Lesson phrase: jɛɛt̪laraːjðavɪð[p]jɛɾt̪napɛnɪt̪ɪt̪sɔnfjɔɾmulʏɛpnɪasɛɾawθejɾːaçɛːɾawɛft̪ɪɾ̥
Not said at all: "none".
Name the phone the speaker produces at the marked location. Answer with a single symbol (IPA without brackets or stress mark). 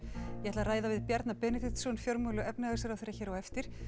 p